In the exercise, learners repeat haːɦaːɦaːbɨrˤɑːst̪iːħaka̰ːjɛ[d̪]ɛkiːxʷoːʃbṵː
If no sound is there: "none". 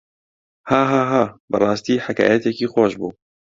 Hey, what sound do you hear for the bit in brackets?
t̪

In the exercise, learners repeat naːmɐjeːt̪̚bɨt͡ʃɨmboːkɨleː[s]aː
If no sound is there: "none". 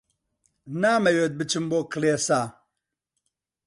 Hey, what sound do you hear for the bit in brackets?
s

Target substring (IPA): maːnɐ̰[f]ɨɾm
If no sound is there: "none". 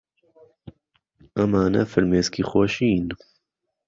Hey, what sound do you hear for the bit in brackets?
f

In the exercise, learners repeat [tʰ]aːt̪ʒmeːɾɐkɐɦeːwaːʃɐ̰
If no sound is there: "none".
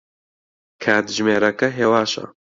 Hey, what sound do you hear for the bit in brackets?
kʰ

